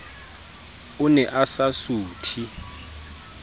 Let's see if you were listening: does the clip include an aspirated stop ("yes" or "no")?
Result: yes